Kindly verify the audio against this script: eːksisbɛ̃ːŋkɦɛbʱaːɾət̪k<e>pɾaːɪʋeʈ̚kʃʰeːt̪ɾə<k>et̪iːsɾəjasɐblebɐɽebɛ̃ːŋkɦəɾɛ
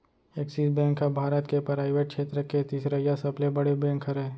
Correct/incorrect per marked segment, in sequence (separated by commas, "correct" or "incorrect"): correct, correct